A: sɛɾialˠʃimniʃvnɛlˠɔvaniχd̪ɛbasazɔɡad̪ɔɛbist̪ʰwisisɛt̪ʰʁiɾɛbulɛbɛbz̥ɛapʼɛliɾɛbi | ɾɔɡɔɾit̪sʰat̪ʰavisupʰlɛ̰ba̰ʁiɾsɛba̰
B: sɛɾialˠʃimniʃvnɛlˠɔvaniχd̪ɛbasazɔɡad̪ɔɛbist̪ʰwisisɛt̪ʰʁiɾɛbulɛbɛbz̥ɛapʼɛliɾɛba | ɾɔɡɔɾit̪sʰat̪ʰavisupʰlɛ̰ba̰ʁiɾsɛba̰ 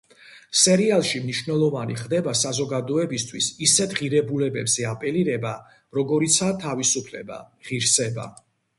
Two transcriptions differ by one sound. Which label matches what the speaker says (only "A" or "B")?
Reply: B